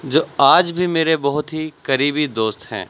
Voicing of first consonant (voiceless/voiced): voiced